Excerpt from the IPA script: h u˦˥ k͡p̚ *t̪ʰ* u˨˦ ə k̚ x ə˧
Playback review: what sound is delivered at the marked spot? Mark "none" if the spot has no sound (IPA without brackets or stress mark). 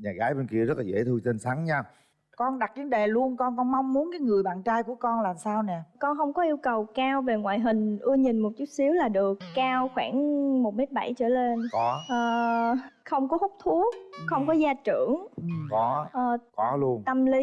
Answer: t̪ʰ